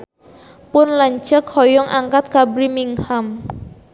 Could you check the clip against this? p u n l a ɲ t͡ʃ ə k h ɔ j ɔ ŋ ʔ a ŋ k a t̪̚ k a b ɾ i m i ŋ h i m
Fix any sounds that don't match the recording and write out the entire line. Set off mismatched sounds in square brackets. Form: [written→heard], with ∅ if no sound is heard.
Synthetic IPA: p [u→ʊ] n l a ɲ t͡ʃ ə k h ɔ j ɔ ŋ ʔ a ŋ k a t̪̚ k a b ɾ i m i ŋ h [i→a] m

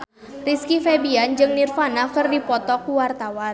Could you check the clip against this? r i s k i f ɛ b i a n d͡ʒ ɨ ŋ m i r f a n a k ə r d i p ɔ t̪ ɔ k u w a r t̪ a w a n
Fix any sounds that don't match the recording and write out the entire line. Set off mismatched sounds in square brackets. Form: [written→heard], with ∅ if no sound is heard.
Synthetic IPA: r i s k i f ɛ b i a n d͡ʒ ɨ ŋ [m→n] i r f a n a k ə r d i p ɔ t̪ ɔ k u w a r t̪ a w a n

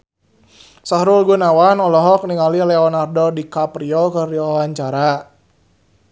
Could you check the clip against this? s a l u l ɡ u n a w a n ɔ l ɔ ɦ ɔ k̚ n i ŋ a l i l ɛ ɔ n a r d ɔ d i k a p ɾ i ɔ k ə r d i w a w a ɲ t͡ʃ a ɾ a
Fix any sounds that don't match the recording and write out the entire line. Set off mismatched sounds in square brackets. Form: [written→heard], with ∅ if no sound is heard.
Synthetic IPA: s a [l→ɾ] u l ɡ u n a w a n ɔ l ɔ ɦ ɔ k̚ n i ŋ a l i l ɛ ɔ n a r d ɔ d i k a p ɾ i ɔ k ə r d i w a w a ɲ t͡ʃ a ɾ a

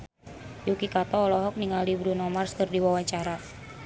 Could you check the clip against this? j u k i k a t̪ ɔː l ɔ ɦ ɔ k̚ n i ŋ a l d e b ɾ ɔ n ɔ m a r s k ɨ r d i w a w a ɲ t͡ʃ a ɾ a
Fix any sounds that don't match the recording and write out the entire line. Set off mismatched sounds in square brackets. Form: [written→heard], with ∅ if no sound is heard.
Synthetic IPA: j u k i k a t̪ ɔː l ɔ ɦ ɔ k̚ n i ŋ a l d [e→i] b ɾ [ɔ→u] n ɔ m a r s k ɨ r d i w a w a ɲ t͡ʃ a ɾ a

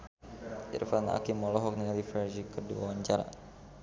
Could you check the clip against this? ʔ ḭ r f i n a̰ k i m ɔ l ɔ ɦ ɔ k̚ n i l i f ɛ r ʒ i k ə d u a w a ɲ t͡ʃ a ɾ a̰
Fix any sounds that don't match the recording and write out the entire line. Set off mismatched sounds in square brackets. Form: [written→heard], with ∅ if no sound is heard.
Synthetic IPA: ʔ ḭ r f [i→a] n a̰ k i m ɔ l ɔ ɦ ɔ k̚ n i l i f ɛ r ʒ i k ə d u a w a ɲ t͡ʃ a ɾ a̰

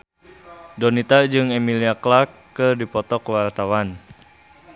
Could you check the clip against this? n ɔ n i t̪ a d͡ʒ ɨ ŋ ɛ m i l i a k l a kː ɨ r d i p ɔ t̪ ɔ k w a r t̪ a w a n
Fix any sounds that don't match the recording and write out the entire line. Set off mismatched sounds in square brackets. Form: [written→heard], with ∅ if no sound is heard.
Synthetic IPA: [n→d] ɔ n i t̪ a d͡ʒ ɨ ŋ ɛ m i l i a k l a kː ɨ r d i p ɔ t̪ ɔ k w a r t̪ a w a n

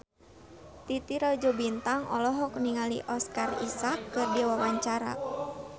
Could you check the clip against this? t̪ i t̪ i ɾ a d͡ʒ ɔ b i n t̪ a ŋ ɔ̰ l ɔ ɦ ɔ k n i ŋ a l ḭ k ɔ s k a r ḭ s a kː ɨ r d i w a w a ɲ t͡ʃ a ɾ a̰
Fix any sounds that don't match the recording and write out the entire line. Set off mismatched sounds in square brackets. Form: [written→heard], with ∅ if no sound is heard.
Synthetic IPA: t̪ i t̪ i ɾ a d͡ʒ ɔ b i n t̪ a ŋ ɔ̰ l ɔ ɦ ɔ k n i ŋ a l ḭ [k→ʔ] ɔ s k a r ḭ s a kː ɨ r d i w a w a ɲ t͡ʃ a ɾ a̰

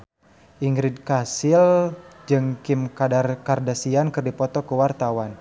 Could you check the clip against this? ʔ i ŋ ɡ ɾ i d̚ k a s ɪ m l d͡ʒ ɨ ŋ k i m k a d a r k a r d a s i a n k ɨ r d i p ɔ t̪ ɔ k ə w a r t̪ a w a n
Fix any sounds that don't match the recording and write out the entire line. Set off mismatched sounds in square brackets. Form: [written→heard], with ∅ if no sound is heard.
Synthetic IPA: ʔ i ŋ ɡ ɾ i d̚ k a s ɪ [m→∅] l d͡ʒ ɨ ŋ k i m k a d a r k a r d a s i a n k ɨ r d i p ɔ t̪ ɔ k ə w a r t̪ a w a n

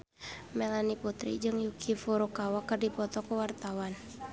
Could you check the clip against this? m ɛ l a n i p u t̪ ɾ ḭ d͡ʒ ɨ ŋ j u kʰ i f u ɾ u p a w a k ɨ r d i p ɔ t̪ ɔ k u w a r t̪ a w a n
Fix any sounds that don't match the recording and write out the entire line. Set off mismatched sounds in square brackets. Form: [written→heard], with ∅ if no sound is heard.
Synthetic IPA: m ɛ l a n i p u t̪ ɾ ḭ d͡ʒ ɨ ŋ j u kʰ i f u ɾ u [p→k] a w a k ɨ r d i p ɔ t̪ ɔ k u w a r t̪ a w a n

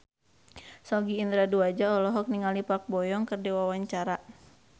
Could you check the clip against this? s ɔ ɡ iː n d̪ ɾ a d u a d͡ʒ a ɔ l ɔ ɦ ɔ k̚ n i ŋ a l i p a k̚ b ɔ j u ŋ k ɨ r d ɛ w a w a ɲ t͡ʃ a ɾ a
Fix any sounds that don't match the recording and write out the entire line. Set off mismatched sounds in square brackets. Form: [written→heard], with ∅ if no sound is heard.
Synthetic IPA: s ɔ ɡ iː n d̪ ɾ a d u a d͡ʒ a ɔ l ɔ ɦ ɔ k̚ n i ŋ a l i p a k̚ b ɔ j [u→ɔ] ŋ k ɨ r d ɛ w a w a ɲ t͡ʃ a ɾ a

